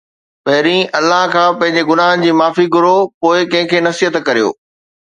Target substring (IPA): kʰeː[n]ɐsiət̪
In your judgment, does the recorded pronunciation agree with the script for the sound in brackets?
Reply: yes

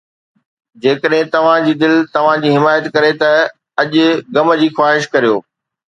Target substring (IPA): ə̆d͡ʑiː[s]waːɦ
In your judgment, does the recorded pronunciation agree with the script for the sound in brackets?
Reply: no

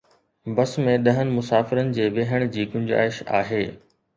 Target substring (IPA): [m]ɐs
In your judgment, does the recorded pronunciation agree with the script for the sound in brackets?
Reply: no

